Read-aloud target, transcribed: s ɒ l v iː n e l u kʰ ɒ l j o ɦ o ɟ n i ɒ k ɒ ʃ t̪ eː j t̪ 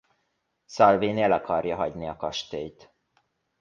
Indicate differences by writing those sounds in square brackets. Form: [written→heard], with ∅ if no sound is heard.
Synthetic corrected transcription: s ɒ l v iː n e l [u→ɒ] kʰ ɒ [l→r] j [o→ɒ] ɦ [o→ɒ] ɟ n i ɒ k ɒ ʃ t̪ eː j t̪